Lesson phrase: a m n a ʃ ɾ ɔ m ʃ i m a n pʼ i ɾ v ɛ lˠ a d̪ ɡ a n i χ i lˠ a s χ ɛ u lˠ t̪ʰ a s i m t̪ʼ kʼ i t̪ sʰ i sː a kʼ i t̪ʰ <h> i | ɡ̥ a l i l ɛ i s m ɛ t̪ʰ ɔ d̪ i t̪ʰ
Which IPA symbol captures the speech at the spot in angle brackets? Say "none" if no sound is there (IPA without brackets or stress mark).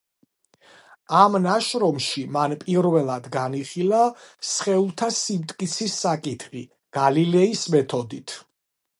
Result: χ